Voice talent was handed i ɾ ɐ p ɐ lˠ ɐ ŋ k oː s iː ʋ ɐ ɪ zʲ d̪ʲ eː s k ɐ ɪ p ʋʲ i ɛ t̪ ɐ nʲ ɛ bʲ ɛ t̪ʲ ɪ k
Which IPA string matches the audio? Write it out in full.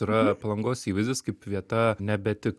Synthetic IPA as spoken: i ɾ ɐ p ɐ lˠ ɐ ŋ ɡ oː s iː ʋ ɐ ɪ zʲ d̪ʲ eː s k ɐ ɪ p ʋʲ i ɛ t̪ ɐ nʲ ɛ bʲ ɛ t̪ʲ ɪ k